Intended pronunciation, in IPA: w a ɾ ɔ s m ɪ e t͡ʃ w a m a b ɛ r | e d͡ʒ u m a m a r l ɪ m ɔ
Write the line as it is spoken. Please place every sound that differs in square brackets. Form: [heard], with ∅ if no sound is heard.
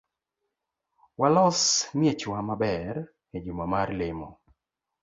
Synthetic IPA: w a [l] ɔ s m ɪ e t͡ʃ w a m a b ɛ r | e d͡ʒ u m a m a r l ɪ m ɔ